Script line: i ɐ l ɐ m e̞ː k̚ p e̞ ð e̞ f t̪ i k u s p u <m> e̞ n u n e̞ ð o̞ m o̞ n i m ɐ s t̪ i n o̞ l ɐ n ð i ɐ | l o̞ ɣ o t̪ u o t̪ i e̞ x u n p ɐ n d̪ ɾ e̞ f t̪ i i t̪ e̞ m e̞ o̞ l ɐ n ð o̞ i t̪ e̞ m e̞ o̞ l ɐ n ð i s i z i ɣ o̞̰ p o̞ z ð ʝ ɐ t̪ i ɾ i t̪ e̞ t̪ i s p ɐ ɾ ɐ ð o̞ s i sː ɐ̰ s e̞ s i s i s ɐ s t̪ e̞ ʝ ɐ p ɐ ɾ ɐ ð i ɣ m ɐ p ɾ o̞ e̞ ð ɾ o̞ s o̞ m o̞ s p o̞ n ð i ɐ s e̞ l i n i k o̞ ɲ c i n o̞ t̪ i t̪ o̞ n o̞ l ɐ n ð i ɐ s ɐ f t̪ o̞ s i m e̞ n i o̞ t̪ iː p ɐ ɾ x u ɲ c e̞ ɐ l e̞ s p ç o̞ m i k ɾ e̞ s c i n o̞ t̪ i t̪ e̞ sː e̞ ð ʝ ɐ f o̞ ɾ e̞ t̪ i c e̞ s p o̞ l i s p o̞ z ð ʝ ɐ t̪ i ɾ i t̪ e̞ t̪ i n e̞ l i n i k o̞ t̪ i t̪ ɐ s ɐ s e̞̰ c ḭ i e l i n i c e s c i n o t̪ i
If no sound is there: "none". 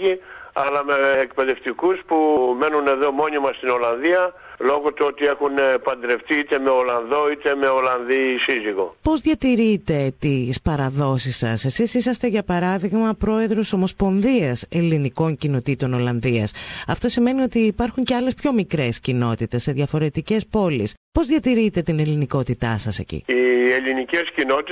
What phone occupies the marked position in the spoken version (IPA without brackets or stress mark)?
m